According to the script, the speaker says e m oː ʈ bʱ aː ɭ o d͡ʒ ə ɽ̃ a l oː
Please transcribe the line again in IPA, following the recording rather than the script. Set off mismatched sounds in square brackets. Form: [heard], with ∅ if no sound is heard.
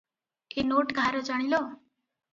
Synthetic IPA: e [n] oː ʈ [ɡʱ] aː [ɾ] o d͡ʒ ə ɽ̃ [i] l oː